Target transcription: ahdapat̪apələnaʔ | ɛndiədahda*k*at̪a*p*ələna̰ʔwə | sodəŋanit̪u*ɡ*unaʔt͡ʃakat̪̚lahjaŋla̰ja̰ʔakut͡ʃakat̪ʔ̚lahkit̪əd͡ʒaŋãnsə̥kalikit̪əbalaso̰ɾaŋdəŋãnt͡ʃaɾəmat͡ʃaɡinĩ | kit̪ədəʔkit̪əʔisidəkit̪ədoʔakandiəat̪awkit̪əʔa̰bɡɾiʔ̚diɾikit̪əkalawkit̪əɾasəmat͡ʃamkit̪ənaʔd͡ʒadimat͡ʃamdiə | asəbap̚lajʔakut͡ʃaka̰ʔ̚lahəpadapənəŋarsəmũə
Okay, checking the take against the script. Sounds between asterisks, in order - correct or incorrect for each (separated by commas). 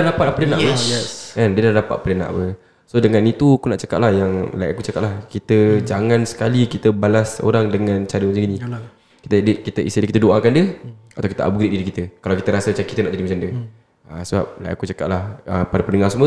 incorrect, correct, incorrect